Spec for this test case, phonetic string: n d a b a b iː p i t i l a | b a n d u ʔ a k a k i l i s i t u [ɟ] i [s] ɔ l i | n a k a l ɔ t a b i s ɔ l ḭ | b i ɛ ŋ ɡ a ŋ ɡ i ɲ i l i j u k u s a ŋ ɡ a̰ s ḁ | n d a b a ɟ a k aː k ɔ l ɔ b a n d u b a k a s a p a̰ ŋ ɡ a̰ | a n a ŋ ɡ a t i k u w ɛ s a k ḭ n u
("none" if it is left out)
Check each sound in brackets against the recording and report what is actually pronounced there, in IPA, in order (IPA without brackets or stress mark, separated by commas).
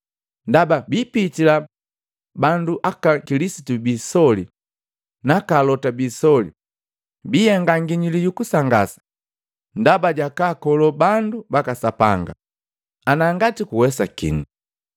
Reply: b, s